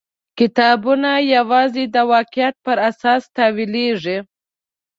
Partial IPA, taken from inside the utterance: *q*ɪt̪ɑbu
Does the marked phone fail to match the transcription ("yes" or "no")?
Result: yes